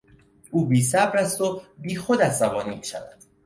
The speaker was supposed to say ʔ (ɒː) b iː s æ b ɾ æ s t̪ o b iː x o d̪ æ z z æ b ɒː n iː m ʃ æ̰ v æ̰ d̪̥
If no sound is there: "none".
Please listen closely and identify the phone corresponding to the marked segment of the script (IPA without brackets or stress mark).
uː